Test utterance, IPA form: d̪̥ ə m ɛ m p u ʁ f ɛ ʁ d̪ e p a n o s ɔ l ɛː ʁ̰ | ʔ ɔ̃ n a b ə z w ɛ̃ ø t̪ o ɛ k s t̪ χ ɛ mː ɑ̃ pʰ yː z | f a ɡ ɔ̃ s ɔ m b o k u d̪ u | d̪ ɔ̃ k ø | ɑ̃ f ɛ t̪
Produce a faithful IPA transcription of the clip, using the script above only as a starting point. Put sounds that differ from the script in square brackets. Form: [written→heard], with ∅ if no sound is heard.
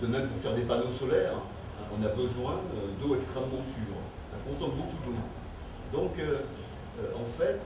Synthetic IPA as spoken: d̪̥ ə m ɛ m p u ʁ f ɛ ʁ d̪ e p a n o s ɔ l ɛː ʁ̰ | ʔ ɔ̃ n a b ə z w ɛ̃ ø [t̪→d̪] o ɛ k s t̪ χ ɛ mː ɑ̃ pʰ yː [z→ʁ] | [f→s] a [ɡ→k] ɔ̃ s ɔ m b o k u d̪ [u→o] | d̪ ɔ̃ k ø | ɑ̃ f ɛ t̪